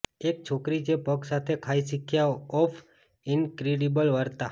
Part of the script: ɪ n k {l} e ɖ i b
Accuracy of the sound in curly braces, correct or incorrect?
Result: incorrect: ɾ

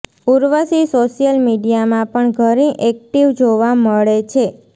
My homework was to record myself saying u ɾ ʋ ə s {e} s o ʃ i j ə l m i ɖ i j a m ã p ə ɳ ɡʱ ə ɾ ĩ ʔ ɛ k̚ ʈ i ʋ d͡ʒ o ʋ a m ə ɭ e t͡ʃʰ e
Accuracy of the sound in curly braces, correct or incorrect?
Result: incorrect: i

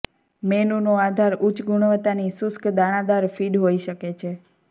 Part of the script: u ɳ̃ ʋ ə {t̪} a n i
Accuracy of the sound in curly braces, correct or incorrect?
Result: correct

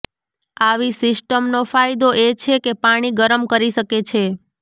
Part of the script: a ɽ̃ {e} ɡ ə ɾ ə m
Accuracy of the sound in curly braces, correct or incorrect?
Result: incorrect: i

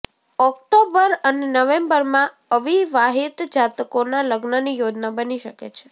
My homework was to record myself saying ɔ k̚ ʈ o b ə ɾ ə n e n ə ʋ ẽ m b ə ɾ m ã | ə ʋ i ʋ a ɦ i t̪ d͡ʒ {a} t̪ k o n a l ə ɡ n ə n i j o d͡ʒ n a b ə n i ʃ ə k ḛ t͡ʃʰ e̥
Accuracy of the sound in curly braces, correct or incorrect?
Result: correct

